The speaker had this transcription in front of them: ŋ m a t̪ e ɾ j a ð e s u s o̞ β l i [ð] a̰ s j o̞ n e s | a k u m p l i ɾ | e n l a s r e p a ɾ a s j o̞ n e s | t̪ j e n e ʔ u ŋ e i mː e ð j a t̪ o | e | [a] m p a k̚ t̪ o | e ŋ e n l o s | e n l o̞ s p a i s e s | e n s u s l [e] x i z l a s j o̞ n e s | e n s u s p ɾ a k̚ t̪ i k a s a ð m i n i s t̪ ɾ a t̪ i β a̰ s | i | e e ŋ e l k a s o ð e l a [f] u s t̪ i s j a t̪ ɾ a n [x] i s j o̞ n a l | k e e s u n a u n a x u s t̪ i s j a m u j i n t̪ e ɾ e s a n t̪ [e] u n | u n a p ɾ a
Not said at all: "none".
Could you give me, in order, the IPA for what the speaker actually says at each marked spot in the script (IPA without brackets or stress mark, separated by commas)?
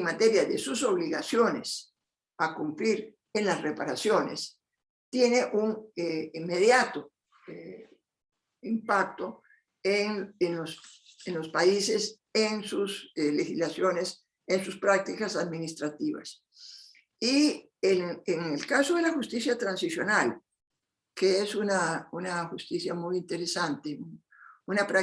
ɣ, i, e, x, s, e